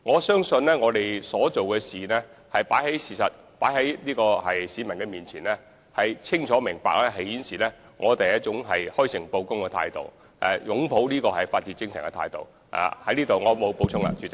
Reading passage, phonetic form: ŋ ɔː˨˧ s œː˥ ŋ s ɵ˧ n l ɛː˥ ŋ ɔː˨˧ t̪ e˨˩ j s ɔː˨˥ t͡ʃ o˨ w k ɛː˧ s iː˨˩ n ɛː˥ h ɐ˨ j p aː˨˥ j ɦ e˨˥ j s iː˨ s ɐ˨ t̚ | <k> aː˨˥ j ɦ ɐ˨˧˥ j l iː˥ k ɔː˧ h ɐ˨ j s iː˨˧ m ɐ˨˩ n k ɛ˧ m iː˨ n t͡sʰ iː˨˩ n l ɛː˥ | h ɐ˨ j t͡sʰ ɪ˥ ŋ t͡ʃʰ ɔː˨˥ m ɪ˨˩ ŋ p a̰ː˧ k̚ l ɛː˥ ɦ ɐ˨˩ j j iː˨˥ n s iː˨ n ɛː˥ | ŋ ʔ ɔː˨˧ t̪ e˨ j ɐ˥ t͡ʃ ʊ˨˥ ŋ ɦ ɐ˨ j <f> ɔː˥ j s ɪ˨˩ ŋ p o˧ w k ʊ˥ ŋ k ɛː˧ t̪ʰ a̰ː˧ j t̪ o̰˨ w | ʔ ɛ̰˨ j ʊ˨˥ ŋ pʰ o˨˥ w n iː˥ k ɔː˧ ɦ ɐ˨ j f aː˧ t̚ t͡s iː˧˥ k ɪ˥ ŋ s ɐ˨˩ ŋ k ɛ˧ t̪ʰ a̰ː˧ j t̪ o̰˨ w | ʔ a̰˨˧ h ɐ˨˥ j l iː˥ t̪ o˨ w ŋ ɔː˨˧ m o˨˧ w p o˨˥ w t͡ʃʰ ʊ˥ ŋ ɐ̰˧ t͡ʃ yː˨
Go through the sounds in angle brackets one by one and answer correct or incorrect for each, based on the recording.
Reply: incorrect, incorrect

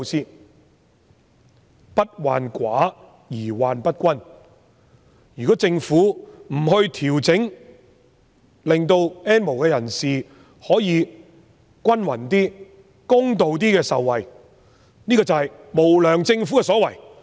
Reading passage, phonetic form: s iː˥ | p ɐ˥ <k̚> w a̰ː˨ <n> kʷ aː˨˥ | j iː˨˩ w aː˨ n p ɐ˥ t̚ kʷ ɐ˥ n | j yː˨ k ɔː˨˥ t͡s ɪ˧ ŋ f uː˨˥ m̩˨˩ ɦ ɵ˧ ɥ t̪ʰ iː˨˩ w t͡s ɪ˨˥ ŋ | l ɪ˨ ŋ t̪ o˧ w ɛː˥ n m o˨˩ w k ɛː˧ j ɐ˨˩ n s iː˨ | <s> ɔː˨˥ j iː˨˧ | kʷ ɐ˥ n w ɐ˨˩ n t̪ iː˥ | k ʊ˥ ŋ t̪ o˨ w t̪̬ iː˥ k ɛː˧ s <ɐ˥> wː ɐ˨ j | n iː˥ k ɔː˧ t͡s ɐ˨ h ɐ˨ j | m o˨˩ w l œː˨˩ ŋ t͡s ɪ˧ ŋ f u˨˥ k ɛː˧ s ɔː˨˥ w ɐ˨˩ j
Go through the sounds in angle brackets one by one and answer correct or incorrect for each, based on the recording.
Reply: incorrect, correct, incorrect, incorrect

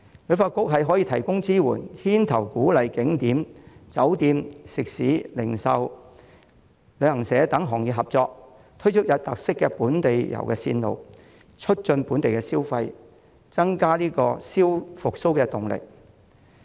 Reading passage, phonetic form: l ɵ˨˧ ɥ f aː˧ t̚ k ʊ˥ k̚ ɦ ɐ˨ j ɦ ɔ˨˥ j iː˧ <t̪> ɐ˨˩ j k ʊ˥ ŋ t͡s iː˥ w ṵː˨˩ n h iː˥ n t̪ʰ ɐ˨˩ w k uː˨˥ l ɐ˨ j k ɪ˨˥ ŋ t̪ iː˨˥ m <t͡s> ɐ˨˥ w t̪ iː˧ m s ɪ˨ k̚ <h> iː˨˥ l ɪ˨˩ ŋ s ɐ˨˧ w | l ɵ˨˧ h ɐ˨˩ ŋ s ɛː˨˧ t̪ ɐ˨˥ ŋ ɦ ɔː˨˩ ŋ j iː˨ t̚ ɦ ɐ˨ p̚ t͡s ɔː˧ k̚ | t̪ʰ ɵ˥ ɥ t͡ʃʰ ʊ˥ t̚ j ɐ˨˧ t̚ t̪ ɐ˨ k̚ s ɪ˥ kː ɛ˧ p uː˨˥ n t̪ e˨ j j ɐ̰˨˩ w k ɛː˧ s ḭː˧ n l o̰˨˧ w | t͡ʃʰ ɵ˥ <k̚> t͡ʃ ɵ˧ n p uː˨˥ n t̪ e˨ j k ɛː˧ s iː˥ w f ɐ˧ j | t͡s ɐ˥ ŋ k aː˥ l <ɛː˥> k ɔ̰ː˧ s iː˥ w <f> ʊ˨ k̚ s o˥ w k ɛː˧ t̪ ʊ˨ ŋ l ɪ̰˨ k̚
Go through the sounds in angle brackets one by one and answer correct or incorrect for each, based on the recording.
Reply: incorrect, correct, incorrect, incorrect, incorrect, correct

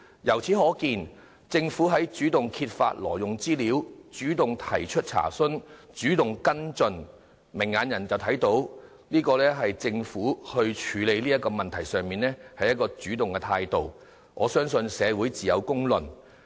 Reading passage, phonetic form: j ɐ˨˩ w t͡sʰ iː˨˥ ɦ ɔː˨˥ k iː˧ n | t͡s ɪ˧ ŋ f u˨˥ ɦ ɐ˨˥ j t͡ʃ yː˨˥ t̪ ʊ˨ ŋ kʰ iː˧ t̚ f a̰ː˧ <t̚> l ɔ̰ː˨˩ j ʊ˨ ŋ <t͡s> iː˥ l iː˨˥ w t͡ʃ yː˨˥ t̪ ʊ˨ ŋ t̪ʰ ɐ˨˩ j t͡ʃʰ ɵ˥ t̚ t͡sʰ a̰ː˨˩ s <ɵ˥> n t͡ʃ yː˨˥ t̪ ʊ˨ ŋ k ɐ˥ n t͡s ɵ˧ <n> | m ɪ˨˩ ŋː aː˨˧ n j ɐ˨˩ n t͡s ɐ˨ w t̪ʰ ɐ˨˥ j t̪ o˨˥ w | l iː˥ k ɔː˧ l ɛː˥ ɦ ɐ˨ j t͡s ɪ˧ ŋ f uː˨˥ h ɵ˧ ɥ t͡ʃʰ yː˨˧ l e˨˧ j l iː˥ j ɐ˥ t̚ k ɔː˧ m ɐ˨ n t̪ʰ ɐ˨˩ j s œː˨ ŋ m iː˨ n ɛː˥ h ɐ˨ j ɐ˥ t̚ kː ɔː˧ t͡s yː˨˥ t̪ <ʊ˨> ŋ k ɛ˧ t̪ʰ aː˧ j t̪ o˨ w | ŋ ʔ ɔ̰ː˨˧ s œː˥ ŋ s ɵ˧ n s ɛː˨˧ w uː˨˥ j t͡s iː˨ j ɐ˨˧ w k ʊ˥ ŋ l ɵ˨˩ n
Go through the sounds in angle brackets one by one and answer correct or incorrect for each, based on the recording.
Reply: correct, correct, correct, correct, correct

